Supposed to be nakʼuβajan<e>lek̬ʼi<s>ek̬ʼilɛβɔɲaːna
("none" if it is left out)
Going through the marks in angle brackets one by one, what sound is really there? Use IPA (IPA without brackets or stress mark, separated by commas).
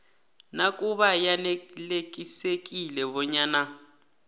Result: e, s